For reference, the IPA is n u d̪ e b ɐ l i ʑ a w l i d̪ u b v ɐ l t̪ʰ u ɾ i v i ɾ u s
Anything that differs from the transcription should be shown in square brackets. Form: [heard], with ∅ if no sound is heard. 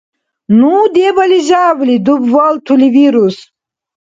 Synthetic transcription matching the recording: n u d̪ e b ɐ l i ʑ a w l i d̪ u b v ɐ l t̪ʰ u [l] i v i ɾ u s